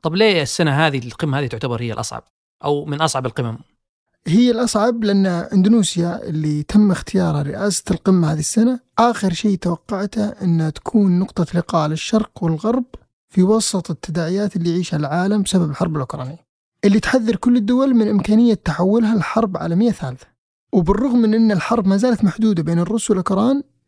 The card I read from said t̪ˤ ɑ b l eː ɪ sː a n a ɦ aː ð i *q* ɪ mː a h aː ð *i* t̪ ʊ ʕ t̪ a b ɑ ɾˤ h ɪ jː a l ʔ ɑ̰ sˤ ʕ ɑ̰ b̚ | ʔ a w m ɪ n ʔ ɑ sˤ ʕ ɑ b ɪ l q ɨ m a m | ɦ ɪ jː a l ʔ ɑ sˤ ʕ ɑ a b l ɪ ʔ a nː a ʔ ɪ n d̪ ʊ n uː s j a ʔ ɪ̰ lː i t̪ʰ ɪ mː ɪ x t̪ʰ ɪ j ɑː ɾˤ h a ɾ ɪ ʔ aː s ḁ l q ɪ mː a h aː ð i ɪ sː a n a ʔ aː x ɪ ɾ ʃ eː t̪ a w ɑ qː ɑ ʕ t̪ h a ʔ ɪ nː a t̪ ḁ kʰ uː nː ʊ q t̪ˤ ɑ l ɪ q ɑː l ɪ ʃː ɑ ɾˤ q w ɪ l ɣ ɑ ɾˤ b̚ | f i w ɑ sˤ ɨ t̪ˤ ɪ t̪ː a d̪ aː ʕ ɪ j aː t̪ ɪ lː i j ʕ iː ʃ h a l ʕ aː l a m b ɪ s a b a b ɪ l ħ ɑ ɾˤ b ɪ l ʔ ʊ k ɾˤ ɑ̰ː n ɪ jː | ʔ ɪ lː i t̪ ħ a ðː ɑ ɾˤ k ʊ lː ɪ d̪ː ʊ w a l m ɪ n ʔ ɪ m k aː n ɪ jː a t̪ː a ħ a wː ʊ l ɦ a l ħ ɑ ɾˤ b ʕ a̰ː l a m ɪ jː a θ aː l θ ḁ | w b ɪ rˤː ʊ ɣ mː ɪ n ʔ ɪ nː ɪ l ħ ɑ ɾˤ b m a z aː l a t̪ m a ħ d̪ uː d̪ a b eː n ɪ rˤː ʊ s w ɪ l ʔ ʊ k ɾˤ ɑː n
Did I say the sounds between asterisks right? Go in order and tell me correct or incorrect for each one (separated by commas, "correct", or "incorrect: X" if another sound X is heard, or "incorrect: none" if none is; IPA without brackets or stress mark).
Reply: correct, correct